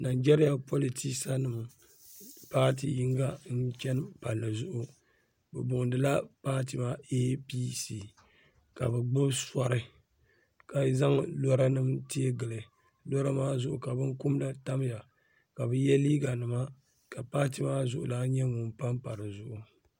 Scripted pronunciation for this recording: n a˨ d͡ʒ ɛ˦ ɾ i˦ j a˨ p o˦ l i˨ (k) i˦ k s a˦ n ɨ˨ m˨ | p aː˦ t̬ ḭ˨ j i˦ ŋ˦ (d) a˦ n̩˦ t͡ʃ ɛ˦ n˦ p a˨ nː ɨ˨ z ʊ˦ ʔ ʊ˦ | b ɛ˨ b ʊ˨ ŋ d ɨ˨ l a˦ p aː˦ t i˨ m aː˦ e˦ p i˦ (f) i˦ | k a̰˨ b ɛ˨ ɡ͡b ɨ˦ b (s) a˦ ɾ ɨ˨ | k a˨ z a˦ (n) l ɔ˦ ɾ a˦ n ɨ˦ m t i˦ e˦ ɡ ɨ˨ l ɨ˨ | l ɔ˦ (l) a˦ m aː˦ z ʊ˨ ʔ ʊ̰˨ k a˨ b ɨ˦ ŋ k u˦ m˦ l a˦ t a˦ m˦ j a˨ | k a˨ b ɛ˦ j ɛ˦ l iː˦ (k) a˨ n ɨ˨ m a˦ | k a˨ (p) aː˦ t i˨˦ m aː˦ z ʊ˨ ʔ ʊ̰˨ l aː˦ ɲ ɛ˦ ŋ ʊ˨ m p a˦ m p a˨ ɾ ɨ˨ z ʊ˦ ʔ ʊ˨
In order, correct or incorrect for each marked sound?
incorrect: t, incorrect: ɡ, incorrect: s, correct, incorrect: ŋ, incorrect: ɾ, incorrect: ɡ, correct

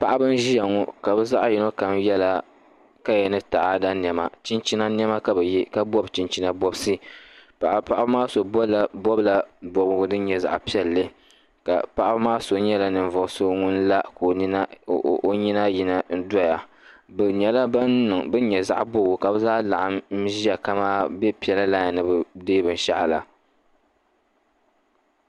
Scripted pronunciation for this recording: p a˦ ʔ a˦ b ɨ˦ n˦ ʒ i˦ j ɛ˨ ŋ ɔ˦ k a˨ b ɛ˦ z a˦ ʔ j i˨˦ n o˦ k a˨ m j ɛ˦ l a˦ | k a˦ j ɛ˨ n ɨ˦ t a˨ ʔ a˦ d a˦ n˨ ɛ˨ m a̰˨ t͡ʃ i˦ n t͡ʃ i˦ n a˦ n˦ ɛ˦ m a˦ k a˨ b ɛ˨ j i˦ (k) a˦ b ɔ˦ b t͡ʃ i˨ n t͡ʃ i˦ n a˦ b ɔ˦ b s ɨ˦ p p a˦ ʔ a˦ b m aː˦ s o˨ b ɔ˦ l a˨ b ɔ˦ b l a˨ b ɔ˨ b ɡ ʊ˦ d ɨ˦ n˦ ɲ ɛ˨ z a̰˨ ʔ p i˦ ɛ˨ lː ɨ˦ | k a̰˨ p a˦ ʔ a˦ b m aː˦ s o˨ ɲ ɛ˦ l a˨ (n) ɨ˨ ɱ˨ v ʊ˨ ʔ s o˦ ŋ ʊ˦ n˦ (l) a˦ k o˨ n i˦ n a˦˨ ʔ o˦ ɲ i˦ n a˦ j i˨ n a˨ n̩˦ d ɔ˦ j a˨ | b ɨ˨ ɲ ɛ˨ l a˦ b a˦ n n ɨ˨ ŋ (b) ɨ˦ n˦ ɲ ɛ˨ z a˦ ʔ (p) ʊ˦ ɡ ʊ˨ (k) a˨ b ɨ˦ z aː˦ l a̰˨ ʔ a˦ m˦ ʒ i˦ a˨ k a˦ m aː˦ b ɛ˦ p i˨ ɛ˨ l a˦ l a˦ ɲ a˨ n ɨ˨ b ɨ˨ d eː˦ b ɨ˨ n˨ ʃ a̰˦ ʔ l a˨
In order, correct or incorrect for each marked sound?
correct, correct, correct, correct, incorrect: b, correct

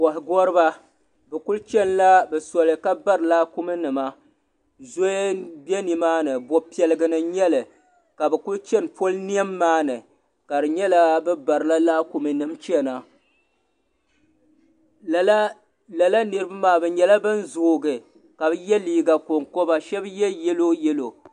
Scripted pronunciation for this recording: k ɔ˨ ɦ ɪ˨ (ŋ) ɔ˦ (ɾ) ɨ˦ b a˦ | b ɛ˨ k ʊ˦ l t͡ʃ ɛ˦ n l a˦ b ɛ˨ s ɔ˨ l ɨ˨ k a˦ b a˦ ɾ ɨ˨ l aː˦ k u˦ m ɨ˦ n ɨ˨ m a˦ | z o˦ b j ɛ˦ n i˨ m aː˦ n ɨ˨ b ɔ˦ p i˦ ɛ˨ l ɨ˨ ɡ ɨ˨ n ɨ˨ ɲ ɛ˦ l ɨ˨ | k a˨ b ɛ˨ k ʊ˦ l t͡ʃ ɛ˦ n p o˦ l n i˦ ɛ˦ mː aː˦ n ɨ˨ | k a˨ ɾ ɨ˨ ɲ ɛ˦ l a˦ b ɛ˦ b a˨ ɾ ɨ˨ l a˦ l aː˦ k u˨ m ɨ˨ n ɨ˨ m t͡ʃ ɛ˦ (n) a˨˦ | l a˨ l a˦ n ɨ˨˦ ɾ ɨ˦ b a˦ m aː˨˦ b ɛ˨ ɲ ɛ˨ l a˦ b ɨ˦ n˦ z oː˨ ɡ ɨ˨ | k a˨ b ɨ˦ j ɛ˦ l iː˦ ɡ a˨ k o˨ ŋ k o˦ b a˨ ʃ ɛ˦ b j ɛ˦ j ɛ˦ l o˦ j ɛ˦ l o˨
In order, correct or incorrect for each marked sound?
incorrect: ɡ, correct, correct

